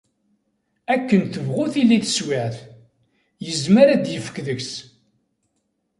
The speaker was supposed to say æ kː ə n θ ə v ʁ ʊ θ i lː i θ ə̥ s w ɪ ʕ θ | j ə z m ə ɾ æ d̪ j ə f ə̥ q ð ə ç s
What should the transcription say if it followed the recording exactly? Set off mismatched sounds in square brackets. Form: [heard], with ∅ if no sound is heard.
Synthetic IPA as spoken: æ kː ə n θ ə v ʁ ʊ θ i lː i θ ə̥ s w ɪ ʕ θ | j ə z m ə ɾ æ d̪ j ə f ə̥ [k] ð ə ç s